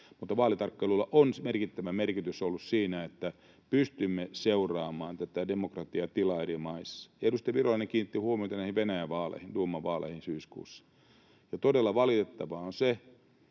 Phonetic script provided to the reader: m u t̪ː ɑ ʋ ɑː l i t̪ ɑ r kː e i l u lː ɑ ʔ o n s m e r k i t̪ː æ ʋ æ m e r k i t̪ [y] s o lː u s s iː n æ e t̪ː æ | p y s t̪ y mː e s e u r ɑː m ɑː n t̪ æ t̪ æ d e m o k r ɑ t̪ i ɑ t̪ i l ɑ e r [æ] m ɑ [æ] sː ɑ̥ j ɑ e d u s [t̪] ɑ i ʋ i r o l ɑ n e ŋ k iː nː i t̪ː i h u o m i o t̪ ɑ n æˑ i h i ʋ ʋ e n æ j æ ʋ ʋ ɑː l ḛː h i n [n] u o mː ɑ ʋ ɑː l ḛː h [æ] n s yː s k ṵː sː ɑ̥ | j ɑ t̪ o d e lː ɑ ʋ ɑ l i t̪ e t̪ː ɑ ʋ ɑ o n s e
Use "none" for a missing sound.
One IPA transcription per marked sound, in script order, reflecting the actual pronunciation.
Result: y, i, i, t̪, d, i

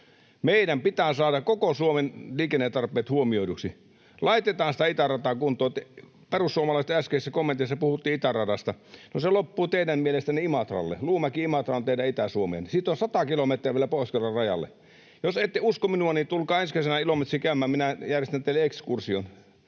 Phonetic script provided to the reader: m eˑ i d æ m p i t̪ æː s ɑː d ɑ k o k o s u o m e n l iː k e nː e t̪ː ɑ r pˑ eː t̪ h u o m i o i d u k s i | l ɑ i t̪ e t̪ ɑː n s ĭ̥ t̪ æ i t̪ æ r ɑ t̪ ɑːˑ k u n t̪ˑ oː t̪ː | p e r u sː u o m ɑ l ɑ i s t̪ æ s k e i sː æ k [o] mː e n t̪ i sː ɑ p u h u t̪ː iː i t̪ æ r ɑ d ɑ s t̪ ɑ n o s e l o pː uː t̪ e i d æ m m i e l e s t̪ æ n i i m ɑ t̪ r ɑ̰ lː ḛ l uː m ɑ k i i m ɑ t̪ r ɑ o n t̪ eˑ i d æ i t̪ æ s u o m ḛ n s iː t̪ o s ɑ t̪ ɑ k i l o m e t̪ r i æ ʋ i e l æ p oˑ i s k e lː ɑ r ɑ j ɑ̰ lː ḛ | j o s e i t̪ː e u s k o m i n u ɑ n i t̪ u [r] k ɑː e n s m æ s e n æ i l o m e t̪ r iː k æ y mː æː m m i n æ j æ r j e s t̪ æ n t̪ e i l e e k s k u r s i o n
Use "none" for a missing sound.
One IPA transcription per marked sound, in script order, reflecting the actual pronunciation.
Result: o, l

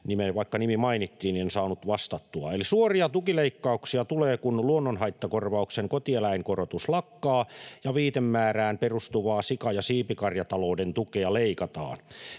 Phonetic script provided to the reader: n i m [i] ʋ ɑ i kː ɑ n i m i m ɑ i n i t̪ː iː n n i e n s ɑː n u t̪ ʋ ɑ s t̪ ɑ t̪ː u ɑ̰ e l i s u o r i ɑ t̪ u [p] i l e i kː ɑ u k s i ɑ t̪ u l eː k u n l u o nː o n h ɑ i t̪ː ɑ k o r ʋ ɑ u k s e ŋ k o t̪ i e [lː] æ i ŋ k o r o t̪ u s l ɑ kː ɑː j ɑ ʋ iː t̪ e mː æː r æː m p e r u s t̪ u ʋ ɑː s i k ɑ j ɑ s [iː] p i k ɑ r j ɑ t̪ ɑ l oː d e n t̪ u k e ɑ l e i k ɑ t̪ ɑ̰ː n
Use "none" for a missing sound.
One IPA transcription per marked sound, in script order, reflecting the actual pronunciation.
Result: e, k, l, iː

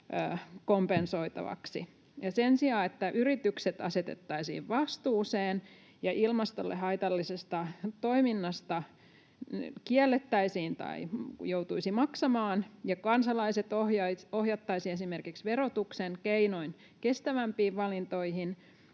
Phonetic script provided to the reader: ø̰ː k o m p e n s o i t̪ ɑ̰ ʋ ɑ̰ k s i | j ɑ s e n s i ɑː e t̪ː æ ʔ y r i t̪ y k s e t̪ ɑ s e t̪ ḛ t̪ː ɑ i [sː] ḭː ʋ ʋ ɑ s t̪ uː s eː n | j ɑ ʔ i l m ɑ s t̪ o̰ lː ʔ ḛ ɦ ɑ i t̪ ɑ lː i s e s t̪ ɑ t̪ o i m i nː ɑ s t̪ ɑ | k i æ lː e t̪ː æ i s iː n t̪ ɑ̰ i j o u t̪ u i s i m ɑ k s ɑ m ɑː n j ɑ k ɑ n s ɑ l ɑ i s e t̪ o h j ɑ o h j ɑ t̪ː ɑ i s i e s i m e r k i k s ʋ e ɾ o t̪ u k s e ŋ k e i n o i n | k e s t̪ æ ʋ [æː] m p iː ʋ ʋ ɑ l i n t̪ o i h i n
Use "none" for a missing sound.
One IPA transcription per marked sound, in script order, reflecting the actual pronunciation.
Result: s, æ

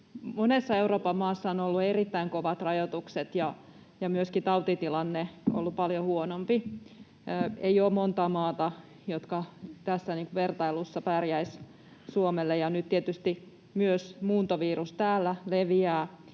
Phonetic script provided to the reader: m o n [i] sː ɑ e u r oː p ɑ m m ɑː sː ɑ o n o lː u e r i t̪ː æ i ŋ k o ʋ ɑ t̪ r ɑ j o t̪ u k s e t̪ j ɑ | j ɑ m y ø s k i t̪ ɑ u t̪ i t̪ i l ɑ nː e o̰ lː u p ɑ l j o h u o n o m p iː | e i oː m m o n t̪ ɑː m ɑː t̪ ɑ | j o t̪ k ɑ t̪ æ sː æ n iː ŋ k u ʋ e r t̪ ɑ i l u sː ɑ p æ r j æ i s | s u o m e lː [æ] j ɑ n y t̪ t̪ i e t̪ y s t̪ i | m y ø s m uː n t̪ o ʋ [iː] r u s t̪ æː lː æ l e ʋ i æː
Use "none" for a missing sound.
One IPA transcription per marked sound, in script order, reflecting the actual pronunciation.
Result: e, e, iː

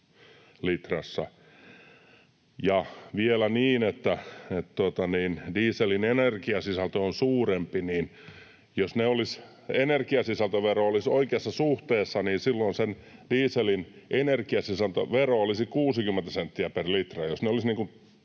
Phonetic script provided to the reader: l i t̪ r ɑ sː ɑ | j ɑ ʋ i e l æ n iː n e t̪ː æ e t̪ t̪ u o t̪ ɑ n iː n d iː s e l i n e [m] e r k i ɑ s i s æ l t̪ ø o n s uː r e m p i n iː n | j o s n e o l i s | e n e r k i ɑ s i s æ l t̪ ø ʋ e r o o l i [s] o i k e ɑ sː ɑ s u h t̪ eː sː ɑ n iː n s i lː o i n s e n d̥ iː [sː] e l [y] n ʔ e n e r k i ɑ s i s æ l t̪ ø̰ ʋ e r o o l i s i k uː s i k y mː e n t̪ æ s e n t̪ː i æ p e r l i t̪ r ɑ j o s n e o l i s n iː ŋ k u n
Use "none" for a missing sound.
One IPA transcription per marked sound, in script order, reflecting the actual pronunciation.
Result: n, s, s, i

